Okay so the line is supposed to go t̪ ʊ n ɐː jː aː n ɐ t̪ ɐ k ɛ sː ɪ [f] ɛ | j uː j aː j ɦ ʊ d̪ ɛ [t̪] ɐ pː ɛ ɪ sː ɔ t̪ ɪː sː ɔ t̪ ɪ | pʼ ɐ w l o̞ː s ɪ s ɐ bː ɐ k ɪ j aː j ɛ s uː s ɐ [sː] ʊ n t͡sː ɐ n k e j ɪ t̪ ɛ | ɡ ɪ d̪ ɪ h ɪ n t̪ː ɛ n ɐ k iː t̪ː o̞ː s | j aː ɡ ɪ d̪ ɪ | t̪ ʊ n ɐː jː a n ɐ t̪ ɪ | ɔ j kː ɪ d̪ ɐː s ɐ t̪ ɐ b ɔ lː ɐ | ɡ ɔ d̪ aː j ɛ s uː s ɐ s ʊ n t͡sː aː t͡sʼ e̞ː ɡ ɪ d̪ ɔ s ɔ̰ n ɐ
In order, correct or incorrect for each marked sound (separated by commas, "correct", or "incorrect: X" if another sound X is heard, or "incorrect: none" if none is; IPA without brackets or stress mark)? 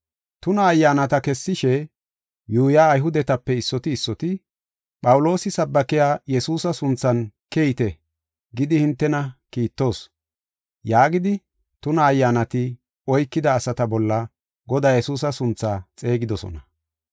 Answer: incorrect: ʃ, correct, incorrect: s